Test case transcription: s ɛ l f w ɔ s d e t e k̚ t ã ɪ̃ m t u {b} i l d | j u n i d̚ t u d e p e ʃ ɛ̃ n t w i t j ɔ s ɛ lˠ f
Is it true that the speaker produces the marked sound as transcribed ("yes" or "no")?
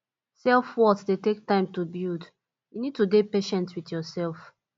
yes